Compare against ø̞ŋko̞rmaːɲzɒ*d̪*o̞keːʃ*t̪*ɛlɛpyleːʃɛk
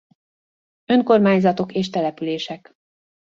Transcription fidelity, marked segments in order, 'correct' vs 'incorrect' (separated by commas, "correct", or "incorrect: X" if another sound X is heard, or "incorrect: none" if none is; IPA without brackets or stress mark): incorrect: t̪, correct